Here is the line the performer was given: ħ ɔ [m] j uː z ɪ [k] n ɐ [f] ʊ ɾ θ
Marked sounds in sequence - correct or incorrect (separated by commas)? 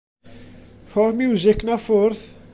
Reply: correct, correct, correct